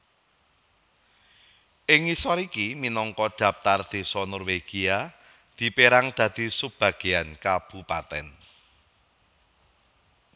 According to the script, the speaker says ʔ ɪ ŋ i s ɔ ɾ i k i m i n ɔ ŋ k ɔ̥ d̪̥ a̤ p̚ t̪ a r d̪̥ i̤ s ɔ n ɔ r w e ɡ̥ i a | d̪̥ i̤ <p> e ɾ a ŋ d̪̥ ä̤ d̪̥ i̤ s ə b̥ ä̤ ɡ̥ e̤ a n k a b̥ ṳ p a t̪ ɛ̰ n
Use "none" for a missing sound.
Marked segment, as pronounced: p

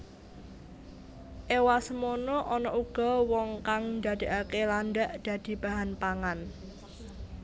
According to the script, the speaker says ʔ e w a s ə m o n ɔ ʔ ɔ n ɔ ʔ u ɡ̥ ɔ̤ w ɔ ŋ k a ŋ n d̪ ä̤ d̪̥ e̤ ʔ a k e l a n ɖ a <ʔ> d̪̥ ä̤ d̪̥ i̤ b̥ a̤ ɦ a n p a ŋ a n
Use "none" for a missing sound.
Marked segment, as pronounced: ʔ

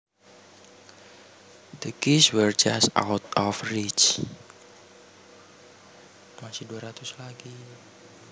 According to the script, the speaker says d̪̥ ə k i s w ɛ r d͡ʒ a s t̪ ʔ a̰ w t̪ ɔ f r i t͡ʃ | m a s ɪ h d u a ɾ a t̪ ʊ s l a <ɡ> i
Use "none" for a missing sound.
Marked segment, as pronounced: ɡ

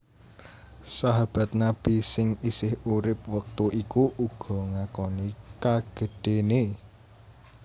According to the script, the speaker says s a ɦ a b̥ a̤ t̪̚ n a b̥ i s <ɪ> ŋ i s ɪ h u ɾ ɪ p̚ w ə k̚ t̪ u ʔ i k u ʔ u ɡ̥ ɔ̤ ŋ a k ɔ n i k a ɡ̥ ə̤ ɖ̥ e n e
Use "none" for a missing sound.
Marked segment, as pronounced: ɪ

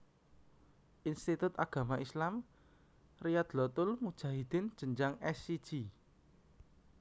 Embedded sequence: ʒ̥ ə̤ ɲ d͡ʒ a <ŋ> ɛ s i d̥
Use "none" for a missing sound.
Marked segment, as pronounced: ŋ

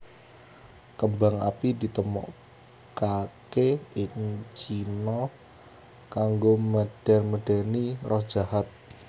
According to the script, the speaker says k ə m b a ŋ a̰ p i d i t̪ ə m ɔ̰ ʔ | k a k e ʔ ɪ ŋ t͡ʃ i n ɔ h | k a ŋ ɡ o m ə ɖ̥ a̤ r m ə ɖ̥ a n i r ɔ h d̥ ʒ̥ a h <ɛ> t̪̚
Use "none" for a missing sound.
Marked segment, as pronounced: a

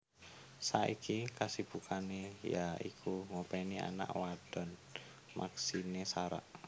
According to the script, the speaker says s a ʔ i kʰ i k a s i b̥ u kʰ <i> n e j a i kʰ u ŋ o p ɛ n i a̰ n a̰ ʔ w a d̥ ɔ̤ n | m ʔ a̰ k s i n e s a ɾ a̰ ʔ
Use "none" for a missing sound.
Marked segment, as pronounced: a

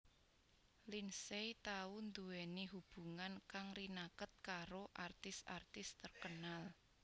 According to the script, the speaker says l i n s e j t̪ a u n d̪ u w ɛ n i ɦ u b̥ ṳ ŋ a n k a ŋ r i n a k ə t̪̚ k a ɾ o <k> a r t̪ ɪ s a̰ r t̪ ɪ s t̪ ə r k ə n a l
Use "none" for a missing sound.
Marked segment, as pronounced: ʔ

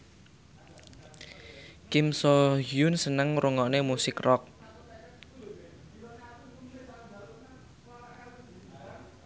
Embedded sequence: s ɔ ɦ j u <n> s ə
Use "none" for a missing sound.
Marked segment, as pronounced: n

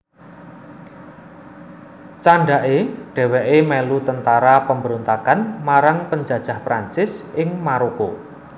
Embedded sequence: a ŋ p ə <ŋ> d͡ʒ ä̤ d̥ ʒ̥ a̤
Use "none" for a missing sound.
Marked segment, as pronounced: ɲ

